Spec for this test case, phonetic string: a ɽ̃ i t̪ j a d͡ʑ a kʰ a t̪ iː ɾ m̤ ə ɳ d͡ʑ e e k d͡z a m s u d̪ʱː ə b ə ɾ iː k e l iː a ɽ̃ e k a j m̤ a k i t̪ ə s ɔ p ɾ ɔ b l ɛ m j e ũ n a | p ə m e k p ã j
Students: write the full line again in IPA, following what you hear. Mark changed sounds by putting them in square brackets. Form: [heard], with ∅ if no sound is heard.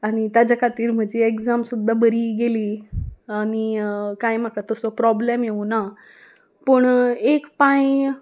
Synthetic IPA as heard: a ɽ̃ i t̪ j a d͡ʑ a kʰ a t̪ iː ɾ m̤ ə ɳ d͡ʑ e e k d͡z a m s u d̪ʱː [a] b ə ɾ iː [ɡ] e l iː a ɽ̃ [i] k a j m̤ a k [a] t̪ ə s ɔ p ɾ ɔ b l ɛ m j e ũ n a | p ə [ɳ] e k p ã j

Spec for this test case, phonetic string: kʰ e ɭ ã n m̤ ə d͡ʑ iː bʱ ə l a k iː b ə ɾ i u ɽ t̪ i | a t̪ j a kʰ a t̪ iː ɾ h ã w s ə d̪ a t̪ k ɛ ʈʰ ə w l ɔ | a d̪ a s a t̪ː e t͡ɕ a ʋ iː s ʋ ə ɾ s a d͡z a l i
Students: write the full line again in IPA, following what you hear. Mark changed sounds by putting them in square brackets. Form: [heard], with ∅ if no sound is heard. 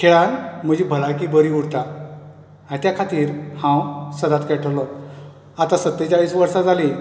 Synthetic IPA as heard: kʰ e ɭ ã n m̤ ə d͡ʑ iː bʱ ə l a k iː b ə ɾ i u ɽ t̪ [a] | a t̪ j a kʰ a t̪ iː ɾ h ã w s ə d̪ a t̪ k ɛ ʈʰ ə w l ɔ | a [t̪] a s [ə] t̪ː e t͡ɕ a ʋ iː s ʋ ə ɾ s a d͡z a l i

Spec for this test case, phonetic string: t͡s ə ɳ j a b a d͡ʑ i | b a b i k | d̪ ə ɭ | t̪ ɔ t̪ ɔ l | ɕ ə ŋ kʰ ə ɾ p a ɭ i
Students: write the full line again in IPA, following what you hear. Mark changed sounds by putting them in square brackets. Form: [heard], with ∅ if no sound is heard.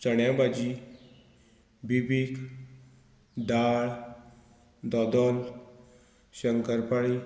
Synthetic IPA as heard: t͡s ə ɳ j a b a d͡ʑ i | b [i] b i k | d̪ [a] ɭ | [d̪] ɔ [d̪] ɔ l | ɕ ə ŋ [k] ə ɾ p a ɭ i

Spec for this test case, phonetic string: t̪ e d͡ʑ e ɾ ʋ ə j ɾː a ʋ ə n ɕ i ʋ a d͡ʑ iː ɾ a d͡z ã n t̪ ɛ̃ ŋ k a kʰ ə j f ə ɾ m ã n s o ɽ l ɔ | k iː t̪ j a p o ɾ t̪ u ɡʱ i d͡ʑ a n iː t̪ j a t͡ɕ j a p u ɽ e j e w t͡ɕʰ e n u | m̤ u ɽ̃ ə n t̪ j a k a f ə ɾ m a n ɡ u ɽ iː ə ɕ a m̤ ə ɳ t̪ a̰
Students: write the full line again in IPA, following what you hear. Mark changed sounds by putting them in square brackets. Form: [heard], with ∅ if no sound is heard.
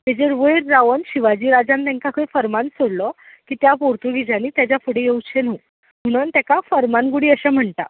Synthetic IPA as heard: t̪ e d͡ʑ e ɾ ʋ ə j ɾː a ʋ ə n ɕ i ʋ a d͡ʑ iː ɾ a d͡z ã n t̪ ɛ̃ ŋ k a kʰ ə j f ə ɾ m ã n s o ɽ l ɔ | k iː t̪ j a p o ɾ t̪ u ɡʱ i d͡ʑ a n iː t̪ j a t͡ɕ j a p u ɽ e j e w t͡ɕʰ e n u | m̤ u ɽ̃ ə n t̪ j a k a f ə ɾ m a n ɡ u ɽ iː ə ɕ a m̤ ə ɳ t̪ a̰

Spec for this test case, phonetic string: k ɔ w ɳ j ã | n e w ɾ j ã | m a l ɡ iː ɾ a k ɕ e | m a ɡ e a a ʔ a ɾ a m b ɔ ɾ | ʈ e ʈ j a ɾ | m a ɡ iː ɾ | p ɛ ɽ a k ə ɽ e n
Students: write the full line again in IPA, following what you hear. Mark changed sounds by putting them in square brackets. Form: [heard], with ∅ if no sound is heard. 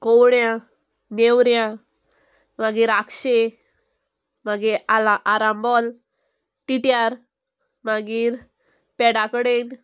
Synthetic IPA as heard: k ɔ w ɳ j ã | n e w ɾ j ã | m a [∅] ɡ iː ɾ a k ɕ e | m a ɡ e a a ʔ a ɾ a m b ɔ [l] | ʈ [i] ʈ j a ɾ | m a ɡ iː ɾ | p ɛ ɽ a k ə ɽ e n

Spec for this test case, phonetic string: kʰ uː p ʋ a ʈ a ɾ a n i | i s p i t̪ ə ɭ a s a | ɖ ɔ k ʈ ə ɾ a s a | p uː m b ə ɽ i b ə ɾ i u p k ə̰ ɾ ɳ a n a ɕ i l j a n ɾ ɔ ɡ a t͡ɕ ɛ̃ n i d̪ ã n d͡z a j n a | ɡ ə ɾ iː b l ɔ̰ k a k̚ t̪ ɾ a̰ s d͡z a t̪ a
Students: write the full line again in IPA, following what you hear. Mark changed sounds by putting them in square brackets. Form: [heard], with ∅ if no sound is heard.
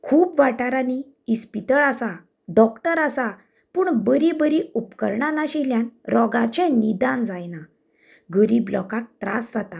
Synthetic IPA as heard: kʰ uː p ʋ a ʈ a ɾ a n i | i s p i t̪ ə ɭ a s a | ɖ ɔ k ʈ ə ɾ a s a | p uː [ɳ] b ə [ɾ] i b ə ɾ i u p k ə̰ ɾ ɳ a n a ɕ i l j a n ɾ ɔ ɡ a t͡ɕ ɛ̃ n i d̪ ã n d͡z a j n a | ɡ ə ɾ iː b l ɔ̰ k a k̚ t̪ ɾ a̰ s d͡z a t̪ a

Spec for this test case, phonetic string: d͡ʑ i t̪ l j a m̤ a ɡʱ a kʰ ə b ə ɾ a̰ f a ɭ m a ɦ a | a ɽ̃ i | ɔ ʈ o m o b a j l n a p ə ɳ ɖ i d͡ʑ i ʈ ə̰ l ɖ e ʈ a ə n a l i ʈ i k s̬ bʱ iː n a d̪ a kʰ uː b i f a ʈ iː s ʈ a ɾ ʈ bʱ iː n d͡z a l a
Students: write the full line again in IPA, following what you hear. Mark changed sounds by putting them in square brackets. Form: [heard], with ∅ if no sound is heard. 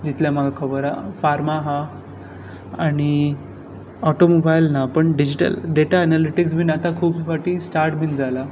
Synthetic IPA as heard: d͡ʑ i t̪ l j a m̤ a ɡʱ a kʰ ə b ə ɾ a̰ f a [ɾ] m a ɦ a | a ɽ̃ i | ɔ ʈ o m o b a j l n a p ə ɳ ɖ i d͡ʑ i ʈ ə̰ l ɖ e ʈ a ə n a l i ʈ i k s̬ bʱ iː n a [t̪] a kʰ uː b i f a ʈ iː s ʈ a ɾ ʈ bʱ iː n d͡z a l a

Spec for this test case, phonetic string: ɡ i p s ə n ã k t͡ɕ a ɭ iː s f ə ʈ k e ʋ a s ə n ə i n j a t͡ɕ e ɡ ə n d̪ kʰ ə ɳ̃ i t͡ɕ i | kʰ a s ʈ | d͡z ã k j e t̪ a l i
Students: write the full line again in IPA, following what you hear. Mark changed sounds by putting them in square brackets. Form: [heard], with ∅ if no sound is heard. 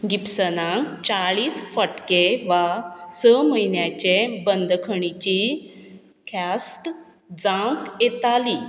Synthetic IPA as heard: ɡ i p s ə n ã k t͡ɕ a ɭ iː s f ə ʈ k e ʋ a s ə [m] ə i n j a t͡ɕ e [b] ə n d̪ kʰ ə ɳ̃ i t͡ɕ i | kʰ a s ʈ | d͡z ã k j e t̪ a l i

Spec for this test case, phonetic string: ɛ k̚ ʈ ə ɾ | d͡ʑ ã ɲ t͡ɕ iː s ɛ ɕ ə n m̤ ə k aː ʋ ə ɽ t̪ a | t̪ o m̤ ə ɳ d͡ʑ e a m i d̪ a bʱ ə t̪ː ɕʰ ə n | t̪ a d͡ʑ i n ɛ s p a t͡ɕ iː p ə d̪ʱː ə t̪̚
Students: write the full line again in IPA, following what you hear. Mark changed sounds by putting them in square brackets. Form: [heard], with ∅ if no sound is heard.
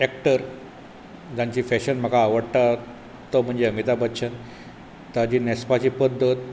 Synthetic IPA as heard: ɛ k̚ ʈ ə ɾ | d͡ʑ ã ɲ t͡ɕ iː [f] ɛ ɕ ə n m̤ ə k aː ʋ ə ɽ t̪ a | t̪ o m̤ ə ɳ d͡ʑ e [ə] m i [t̪] a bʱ ə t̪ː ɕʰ ə n | t̪ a d͡ʑ i n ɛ s p a t͡ɕ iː p ə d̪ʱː ə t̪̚

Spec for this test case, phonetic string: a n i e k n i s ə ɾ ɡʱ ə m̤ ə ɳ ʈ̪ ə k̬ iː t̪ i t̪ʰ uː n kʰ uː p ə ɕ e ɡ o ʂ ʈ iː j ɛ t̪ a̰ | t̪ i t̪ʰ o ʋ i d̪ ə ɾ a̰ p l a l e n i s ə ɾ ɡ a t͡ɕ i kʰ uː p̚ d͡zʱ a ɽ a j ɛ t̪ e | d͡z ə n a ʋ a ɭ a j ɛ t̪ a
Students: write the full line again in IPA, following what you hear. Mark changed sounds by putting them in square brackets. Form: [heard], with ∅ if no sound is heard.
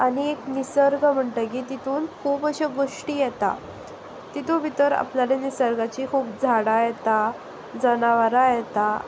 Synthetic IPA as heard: a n i e k n i s ə ɾ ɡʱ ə m̤ ə ɳ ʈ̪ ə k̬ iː t̪ i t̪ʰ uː n kʰ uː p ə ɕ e ɡ o ʂ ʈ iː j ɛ t̪ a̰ | t̪ i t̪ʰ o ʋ i [t̪] ə ɾ a̰ p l a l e n i s ə ɾ ɡ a t͡ɕ i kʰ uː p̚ d͡zʱ a ɽ a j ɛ t̪ [a] | d͡z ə n a ʋ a [ɾ] a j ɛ t̪ a

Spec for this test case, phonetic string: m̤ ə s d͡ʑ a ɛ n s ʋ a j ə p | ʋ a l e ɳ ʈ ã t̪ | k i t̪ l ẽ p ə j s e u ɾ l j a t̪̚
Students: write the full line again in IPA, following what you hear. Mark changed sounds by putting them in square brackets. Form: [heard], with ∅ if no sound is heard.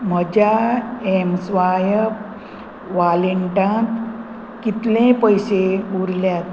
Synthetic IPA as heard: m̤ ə [∅] d͡ʑ a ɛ [m] s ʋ a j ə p | ʋ a l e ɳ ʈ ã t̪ | k i t̪ l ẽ p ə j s e u ɾ l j a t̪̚

